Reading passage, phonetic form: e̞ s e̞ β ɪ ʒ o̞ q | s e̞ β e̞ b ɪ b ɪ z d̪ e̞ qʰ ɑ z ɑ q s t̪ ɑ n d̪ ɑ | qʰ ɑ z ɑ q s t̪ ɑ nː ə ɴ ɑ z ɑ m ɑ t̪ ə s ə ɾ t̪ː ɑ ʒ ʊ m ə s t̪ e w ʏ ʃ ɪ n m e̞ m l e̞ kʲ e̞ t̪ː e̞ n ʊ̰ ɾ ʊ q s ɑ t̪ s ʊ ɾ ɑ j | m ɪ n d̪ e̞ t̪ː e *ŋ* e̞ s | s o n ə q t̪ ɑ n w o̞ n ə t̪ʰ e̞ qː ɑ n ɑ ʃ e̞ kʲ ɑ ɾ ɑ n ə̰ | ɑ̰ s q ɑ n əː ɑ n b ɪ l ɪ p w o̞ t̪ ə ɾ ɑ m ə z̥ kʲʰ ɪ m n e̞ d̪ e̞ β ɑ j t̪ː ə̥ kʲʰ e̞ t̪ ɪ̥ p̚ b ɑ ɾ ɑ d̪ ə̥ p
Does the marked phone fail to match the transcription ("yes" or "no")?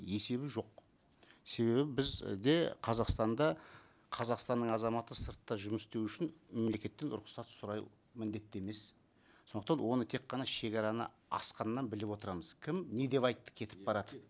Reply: yes